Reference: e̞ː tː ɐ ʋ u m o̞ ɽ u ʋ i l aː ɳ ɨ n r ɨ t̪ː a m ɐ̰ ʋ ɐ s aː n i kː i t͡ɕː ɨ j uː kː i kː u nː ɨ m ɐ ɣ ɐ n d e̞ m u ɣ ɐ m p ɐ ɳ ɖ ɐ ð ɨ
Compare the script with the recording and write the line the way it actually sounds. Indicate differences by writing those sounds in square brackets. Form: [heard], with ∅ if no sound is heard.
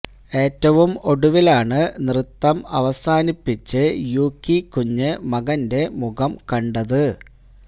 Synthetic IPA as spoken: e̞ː tː ɐ ʋ u m o̞ ɽ u ʋ i l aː ɳ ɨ n r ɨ t̪ː [ɐ] m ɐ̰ ʋ ɐ s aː n i [pː] i t͡ɕː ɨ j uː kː i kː u [ɲː] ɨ m ɐ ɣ ɐ n d e̞ m u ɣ ɐ m [k] ɐ ɳ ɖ ɐ ð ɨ